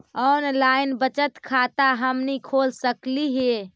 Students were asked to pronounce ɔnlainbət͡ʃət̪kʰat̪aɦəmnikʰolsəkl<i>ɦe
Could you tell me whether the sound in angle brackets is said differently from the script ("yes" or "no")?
no